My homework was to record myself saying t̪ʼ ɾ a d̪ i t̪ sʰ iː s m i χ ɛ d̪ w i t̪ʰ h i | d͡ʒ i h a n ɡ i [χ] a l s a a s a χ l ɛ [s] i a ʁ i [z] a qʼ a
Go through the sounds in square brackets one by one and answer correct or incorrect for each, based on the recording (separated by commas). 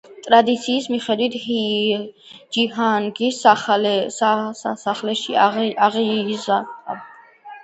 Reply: incorrect, incorrect, correct